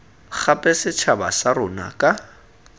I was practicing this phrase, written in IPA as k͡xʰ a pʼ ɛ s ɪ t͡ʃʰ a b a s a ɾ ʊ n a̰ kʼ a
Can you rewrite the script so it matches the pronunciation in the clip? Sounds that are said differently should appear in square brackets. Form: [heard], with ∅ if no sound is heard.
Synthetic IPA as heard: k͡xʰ a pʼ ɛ s ɪ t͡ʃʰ a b a s a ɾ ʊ n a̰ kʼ a